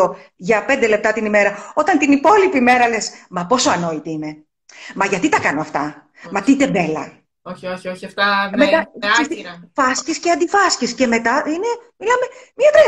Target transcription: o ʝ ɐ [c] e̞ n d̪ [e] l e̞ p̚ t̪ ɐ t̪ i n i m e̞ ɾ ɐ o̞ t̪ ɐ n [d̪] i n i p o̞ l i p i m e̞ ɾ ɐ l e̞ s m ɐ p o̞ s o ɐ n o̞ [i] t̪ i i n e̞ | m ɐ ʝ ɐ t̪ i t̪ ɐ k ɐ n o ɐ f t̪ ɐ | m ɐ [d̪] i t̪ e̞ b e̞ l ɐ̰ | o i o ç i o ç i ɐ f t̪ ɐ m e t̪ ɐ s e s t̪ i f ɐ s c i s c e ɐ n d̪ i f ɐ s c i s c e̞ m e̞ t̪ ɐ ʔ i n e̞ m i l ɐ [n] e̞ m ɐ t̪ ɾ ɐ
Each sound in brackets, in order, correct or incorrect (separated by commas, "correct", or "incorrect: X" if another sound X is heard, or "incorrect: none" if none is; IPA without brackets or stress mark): incorrect: p, correct, incorrect: t̪, correct, incorrect: t̪, incorrect: m